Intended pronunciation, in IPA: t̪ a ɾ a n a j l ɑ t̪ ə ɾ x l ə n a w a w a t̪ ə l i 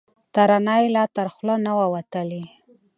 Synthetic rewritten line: t̪ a ɾ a n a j l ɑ t̪ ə ɾ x l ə n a w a w a t̪ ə l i